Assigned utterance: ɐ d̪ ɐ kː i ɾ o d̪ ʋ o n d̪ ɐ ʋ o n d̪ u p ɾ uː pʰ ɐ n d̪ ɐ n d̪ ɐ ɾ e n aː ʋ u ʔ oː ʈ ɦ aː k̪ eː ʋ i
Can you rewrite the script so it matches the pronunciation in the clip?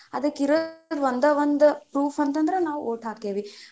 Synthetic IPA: ɐ d̪ ɐ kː i ɾ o d̪ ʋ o n d̪ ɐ ʋ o n d̪ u p ɾ uː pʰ ɐ n t̪ ɐ n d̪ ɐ ɾ e n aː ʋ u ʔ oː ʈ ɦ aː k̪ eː ʋ i